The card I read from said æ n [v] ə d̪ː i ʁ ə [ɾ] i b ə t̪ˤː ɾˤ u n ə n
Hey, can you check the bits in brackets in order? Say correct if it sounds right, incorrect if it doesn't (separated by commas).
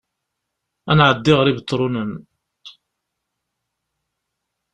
incorrect, correct